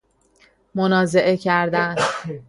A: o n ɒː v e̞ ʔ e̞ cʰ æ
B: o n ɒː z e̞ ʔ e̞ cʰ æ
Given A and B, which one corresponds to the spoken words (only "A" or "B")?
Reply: B